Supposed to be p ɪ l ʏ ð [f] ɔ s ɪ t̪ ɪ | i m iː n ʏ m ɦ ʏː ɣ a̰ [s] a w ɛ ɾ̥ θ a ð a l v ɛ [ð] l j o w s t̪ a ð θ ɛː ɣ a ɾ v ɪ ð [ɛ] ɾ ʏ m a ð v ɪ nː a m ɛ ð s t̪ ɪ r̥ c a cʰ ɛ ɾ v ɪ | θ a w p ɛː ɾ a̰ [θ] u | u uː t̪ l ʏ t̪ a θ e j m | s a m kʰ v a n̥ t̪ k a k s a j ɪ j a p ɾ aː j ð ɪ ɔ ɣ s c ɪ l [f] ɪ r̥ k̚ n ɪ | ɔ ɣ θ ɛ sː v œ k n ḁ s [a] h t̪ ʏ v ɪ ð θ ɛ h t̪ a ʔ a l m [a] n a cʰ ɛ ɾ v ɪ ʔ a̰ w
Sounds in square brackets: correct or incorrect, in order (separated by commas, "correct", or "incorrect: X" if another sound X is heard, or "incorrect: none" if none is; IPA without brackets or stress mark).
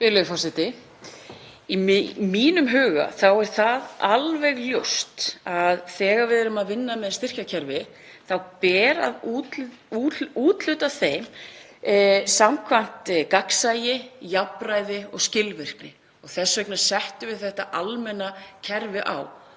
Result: correct, incorrect: θ, incorrect: ɣ, correct, incorrect: ð, incorrect: v, incorrect: ɛ, incorrect: ɛ